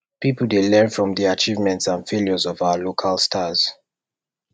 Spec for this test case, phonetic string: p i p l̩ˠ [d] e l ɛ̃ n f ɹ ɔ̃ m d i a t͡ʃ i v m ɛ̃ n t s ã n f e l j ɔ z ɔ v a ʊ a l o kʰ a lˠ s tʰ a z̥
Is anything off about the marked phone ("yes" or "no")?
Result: no